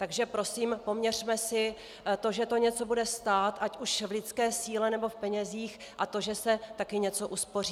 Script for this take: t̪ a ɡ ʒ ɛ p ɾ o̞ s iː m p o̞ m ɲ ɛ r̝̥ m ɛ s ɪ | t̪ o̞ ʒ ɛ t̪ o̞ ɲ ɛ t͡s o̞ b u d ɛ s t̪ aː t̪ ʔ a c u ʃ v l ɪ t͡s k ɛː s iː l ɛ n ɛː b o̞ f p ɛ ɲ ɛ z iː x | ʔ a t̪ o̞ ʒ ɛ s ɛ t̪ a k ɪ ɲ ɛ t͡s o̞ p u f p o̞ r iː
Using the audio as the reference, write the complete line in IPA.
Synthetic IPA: t̪ a ɡ ʒ ɛ p ɾ o̞ s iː m p o̞ m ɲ ɛ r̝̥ m ɛ s ɪ | t̪ o̞ ʒ ɛ t̪ o̞ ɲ ɛ t͡s o̞ b u d ɛ s t̪ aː t̪ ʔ a c u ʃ v l ɪ t͡s k ɛː s iː l ɛ n ɛ b o̞ f p ɛ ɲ ɛ z iː x | ʔ a t̪ o̞ ʒ ɛ s ɛ t̪ a k ɪ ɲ ɛ t͡s o̞ ʔ u s p o̞ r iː